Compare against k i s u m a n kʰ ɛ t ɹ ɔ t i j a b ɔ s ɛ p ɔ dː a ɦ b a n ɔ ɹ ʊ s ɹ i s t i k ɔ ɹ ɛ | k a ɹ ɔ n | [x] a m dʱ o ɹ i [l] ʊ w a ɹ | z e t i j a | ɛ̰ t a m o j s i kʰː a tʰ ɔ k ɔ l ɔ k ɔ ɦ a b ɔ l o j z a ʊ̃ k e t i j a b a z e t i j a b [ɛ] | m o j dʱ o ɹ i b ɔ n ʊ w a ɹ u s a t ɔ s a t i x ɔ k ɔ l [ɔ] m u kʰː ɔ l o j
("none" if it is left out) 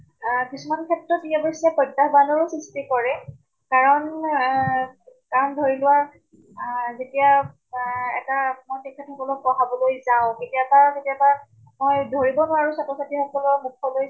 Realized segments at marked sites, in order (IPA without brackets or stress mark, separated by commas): k, l, a, ɔ